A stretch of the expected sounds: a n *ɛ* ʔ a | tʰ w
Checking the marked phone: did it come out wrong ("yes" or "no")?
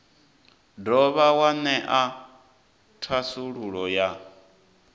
no